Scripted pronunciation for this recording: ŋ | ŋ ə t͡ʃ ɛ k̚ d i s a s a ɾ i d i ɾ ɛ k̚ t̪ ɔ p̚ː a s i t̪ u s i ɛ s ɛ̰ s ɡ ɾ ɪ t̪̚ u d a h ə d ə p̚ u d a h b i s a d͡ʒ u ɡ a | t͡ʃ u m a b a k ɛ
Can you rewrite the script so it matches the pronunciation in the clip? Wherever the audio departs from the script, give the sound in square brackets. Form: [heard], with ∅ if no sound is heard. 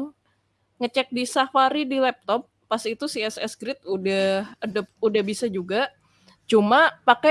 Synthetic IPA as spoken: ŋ | ŋ ə t͡ʃ ɛ k̚ d i s a [f] a ɾ i d i [l] ɛ [p̚] t̪ ɔ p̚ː a s i t̪ u s i ɛ s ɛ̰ s ɡ ɾ ɪ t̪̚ u d a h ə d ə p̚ u d a h b i s a d͡ʒ u ɡ a | t͡ʃ u m a [p] a k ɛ

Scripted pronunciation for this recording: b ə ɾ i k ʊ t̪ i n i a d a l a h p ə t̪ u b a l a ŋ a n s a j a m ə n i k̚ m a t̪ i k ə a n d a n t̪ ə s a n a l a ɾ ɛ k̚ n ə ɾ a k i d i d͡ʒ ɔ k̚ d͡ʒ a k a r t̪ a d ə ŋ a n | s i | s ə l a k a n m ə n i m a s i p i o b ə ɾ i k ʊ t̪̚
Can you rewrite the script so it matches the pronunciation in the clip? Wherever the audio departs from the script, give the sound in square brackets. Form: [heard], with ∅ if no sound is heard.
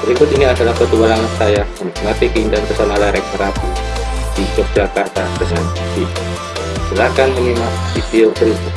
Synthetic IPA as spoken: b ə ɾ i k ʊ t̪ i n i a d a l a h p ə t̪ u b a l a ŋ a n s a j a m ə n i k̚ m a t̪ i k ə [i] n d a n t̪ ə s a n a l a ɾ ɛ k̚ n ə ɾ a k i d i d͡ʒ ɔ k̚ d͡ʒ a k a r t̪ a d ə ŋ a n | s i | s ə l a k a n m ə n i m a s i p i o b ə ɾ i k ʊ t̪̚

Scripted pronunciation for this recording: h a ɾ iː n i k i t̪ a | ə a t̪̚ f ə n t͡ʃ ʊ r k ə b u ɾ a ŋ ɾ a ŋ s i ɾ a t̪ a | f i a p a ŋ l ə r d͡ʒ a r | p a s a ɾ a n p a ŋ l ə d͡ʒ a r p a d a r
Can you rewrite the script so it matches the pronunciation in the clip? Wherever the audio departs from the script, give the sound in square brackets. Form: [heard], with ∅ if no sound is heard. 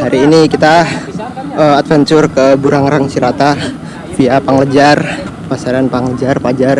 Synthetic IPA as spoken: h a ɾ iː n i k i t̪ a | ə a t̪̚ f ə n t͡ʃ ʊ r k ə b u ɾ a ŋ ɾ a ŋ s i ɾ a t̪ a | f i a p a ŋ l ə [∅] d͡ʒ a r | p a s a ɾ a n p a ŋ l ə d͡ʒ a r p a [d͡ʒ] a r

